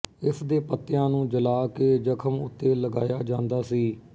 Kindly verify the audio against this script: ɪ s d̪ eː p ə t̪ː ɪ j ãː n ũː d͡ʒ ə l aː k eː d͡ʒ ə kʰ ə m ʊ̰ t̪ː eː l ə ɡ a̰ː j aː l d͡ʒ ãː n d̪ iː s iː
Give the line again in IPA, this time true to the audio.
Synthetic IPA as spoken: ɪ s d̪ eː p ə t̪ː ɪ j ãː n ũː d͡ʒ ə l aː k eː d͡ʒ ə kʰ ə m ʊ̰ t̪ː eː l ə ɡ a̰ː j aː d͡ʒ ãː n d̪ aː s iː